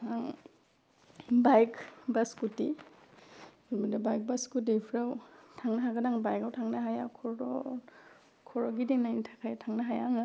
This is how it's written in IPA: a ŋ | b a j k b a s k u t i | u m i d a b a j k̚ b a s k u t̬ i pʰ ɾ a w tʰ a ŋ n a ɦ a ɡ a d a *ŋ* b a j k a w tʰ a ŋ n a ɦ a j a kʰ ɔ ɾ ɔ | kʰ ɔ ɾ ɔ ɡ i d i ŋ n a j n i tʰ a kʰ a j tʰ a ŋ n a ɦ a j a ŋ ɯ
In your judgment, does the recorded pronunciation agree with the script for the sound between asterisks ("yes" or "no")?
yes